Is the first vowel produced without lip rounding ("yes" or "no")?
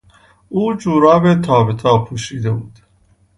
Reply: no